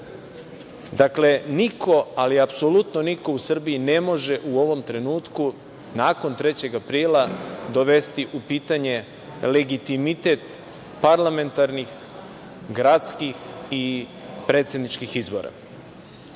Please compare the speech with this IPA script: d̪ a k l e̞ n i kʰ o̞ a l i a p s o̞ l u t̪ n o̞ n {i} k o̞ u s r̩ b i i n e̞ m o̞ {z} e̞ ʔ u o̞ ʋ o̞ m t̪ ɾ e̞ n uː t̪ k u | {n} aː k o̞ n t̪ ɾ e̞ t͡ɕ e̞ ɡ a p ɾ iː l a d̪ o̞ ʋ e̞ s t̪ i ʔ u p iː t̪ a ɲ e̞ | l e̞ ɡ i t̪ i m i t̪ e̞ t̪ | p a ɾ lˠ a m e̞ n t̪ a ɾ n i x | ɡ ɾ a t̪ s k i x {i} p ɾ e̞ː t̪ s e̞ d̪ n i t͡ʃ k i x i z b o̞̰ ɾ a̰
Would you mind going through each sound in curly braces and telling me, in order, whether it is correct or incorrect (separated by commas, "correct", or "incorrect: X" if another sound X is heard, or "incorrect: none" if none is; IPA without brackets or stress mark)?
correct, incorrect: ʒ, correct, correct